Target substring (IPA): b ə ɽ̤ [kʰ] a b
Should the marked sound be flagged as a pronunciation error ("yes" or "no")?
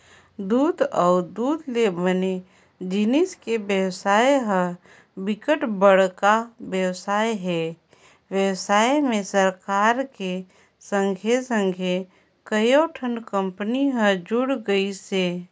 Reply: yes